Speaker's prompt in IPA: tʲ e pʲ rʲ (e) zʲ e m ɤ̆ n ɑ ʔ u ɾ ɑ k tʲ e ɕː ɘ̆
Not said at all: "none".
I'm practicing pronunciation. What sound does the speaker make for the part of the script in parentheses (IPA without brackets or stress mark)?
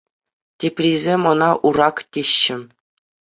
i